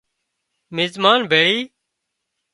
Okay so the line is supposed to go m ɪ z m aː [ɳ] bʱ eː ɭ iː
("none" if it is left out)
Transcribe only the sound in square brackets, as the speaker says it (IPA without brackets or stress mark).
n